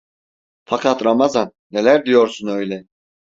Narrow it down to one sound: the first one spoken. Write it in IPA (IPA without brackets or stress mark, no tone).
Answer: f